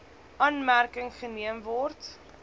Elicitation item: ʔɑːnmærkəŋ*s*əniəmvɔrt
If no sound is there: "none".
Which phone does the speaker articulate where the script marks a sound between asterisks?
χ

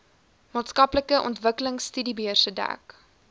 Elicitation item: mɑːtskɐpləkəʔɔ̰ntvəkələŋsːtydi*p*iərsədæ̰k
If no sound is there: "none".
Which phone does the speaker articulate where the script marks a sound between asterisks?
b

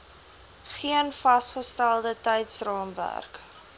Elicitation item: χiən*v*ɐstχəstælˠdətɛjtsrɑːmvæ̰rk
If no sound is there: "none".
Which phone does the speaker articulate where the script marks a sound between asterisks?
f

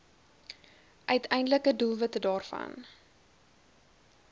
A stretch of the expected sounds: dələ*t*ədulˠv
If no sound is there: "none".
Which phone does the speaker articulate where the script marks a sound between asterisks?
k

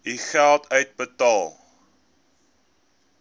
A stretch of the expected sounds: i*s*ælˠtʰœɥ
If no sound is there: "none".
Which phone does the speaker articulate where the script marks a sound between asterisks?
χ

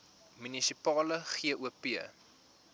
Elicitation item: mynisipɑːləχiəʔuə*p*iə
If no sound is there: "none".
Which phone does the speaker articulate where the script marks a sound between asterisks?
p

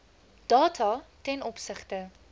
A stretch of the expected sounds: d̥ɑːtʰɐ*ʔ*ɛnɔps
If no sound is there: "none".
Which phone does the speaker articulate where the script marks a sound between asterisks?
t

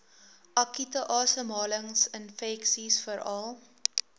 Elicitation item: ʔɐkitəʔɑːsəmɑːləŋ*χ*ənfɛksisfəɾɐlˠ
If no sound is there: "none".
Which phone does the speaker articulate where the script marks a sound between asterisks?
s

